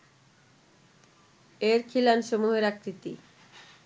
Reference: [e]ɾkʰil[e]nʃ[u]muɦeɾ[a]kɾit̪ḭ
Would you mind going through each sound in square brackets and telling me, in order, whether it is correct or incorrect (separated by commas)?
correct, incorrect, incorrect, correct